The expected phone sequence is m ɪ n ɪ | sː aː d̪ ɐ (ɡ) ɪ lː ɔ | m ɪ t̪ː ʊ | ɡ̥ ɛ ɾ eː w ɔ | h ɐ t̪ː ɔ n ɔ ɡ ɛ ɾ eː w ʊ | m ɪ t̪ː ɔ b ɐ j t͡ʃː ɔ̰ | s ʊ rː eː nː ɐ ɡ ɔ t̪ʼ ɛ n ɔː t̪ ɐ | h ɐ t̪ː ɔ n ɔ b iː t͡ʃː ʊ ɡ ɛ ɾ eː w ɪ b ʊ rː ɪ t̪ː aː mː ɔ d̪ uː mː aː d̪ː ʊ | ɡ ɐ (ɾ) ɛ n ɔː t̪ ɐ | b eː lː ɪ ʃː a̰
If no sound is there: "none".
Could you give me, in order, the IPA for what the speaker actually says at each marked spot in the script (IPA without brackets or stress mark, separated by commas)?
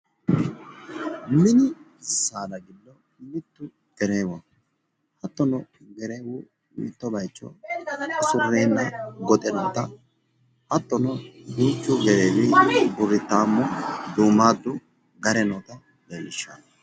ɡ, ɾ